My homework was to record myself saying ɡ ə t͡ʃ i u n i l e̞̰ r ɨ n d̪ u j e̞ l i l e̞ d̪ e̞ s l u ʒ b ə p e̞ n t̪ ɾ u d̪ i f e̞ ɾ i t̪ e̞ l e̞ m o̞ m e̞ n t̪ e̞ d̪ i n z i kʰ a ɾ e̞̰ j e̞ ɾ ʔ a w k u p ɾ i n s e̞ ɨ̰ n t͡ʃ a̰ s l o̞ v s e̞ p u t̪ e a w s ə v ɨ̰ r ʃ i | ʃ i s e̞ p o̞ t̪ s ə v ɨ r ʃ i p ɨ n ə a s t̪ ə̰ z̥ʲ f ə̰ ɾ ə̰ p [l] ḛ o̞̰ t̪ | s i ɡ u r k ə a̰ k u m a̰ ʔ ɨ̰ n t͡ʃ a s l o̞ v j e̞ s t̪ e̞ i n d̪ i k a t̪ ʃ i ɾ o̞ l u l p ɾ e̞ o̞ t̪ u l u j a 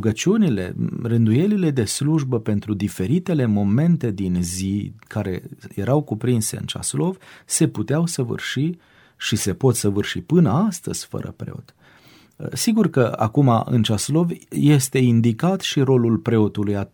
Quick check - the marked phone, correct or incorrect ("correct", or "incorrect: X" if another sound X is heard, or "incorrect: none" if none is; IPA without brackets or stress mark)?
incorrect: ɾ